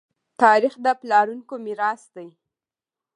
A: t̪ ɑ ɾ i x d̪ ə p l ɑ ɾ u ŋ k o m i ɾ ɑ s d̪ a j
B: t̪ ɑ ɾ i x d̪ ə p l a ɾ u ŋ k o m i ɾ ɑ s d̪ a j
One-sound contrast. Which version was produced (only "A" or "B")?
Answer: A